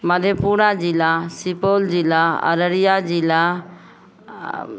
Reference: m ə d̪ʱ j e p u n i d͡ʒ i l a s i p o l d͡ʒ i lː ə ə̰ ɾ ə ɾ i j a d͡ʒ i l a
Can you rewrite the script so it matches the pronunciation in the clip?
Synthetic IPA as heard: m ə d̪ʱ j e p u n a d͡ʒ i l a s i p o l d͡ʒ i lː a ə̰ ɾ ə ɾ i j a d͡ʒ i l a